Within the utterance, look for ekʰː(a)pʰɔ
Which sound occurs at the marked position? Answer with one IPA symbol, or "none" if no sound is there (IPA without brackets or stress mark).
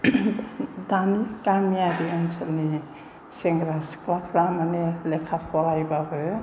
a